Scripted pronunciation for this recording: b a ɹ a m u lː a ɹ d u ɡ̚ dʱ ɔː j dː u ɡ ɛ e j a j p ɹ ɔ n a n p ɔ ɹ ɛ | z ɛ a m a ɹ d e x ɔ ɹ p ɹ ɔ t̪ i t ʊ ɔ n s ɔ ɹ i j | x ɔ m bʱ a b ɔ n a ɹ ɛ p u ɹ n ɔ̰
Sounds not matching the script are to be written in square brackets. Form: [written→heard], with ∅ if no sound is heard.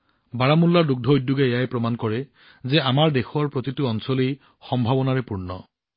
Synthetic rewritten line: b a ɹ a m u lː a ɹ d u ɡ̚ dʱ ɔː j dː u ɡ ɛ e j a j p ɹ ɔ [n→m] a n [p→k] ɔ ɹ ɛ | z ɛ a m a ɹ d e x ɔ ɹ p ɹ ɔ t̪ i t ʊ ɔ n s ɔ [ɹ→l] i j | x ɔ m bʱ a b ɔ n a ɹ ɛ p u ɹ n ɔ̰